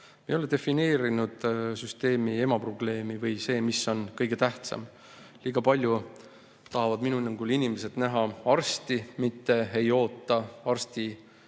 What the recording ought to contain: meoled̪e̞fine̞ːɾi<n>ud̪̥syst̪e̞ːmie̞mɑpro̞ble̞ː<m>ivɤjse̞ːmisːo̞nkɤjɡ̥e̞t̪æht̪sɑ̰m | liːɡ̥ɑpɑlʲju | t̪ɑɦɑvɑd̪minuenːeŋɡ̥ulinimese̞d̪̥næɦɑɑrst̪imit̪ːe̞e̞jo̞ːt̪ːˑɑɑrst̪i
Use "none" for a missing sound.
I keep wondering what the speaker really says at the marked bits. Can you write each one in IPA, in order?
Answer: n, m

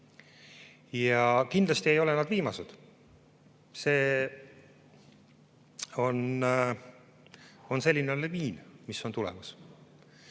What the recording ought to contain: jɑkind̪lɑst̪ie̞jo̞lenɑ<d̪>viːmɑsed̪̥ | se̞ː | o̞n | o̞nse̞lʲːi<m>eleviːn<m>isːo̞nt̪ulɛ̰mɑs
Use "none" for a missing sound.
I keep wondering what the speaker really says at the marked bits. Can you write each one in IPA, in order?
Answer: d̪, n, m

